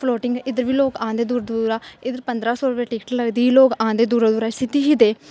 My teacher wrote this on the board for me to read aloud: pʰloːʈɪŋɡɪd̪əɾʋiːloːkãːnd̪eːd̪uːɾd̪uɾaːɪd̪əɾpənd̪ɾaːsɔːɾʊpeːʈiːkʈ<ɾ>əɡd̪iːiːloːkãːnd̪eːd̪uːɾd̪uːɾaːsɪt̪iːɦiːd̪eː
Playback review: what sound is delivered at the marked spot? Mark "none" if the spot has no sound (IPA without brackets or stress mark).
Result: l